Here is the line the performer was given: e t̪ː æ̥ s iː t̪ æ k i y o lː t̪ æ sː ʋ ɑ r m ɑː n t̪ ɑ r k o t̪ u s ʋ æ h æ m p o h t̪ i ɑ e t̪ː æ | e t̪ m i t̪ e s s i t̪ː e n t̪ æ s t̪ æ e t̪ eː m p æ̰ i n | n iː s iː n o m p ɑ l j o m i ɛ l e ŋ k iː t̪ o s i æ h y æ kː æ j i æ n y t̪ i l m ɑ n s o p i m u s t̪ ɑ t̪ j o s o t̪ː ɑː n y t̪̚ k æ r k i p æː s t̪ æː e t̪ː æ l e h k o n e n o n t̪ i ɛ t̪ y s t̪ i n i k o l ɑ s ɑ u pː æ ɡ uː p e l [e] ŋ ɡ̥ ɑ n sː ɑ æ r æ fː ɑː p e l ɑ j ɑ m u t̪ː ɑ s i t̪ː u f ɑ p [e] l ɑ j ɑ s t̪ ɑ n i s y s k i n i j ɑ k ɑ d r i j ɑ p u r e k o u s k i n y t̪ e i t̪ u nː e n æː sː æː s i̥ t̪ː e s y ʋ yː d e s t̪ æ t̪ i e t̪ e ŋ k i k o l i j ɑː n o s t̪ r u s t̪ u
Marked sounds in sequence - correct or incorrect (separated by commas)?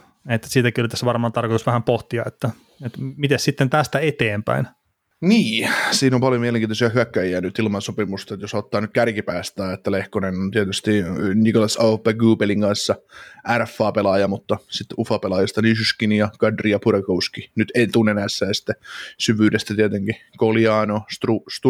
incorrect, correct